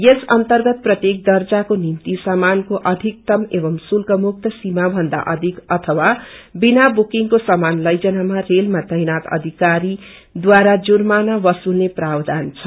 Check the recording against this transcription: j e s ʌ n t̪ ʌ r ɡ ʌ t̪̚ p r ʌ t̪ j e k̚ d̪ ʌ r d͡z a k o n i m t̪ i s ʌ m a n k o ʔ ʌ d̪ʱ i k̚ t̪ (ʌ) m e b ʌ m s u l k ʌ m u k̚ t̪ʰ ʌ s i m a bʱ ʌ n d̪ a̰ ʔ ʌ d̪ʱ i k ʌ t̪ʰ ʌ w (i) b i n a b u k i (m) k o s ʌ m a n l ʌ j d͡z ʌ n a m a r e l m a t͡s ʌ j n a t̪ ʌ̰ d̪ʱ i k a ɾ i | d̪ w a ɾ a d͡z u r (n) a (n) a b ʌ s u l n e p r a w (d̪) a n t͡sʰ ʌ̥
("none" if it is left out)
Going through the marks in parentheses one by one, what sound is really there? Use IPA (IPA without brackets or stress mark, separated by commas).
ʌ, a, ŋ, m, n, d̪